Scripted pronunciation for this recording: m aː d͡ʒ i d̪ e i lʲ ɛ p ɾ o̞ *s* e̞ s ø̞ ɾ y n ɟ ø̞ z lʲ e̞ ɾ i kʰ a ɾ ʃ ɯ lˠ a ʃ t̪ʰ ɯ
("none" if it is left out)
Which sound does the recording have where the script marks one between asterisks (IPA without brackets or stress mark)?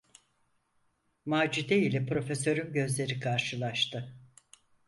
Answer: f